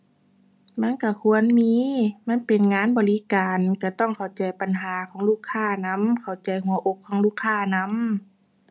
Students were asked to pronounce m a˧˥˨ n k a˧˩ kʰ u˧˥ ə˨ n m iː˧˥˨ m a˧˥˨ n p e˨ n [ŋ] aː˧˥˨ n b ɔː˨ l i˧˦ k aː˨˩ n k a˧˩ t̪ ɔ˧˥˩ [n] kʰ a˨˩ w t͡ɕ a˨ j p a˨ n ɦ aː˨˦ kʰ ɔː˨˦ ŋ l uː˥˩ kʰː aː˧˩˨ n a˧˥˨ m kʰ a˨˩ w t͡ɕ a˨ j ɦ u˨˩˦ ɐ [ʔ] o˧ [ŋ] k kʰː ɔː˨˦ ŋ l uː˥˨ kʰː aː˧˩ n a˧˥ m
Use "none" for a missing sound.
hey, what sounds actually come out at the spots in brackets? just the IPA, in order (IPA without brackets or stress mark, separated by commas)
ŋ, ŋ, ʔ, none